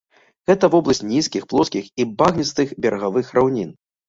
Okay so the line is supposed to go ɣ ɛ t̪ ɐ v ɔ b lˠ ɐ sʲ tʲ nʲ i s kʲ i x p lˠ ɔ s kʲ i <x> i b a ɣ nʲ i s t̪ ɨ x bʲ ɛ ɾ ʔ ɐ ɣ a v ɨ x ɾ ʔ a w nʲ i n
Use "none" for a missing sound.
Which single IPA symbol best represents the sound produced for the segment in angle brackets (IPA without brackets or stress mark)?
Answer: x